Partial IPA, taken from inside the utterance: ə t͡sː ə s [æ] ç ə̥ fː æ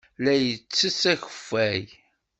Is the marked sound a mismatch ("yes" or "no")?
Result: no